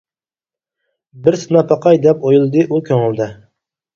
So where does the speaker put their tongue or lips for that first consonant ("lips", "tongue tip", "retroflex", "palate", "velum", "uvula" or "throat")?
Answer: lips